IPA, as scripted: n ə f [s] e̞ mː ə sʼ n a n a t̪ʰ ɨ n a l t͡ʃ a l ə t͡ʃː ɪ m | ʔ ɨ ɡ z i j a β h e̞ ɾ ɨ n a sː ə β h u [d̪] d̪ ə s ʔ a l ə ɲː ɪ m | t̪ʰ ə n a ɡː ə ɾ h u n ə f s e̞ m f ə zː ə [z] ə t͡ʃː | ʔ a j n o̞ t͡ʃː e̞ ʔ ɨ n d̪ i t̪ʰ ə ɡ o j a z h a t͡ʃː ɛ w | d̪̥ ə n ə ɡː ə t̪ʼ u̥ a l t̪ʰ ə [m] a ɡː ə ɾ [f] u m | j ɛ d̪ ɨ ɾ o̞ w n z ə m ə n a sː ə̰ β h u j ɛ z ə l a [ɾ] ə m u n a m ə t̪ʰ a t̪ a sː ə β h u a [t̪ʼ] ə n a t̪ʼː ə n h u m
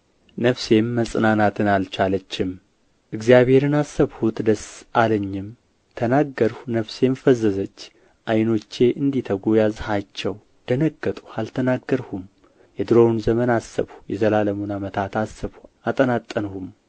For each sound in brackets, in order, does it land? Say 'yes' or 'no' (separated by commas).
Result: yes, no, yes, no, no, no, yes